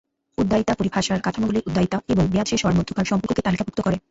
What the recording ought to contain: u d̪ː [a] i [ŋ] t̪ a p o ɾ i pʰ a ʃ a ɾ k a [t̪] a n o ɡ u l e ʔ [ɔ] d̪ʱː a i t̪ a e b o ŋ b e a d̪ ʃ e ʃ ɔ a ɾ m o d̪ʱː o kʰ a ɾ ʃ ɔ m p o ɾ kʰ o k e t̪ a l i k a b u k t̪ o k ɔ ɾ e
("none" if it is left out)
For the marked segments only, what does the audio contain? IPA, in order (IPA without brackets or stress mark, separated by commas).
a, none, t̪ʰ, u